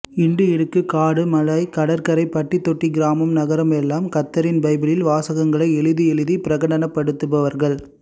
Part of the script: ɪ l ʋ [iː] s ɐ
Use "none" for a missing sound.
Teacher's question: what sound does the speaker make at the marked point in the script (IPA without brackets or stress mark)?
aː